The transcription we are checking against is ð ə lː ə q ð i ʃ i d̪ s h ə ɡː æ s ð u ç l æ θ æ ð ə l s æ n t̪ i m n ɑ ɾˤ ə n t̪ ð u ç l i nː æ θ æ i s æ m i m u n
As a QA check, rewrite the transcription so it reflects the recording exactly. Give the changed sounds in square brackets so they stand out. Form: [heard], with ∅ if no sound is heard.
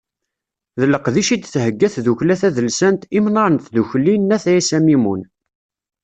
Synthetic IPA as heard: ð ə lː ə q ð i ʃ i d̪ [θ] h ə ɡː æ [θ] ð u ç l æ θ æ ð ə l s æ n t̪ i m n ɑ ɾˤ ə n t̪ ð u ç l i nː æ θ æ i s æ m i m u n